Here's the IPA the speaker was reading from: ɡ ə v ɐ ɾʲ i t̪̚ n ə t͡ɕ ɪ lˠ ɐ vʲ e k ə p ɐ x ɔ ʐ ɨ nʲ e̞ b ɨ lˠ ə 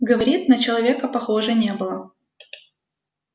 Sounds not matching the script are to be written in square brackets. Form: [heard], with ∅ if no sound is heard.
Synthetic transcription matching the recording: ɡ ə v ɐ ɾʲ i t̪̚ n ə t͡ɕ ɪ lˠ ɐ vʲ e k ə p ɐ x [o] ʐ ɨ nʲ e̞ b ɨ lˠ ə

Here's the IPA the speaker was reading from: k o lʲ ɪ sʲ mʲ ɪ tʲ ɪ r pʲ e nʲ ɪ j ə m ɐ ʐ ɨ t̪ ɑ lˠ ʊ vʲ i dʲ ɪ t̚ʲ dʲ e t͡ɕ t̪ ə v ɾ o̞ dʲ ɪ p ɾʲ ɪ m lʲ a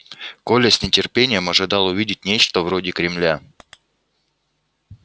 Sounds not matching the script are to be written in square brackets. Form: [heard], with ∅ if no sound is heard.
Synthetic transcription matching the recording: k o lʲ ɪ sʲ [nʲ] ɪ tʲ ɪ r pʲ e nʲ ɪ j ə m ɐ ʐ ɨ [d̪] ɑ lˠ ʊ vʲ i dʲ ɪ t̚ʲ [nʲ] e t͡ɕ t̪ ə v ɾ o̞ dʲ ɪ [k] ɾʲ ɪ m lʲ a

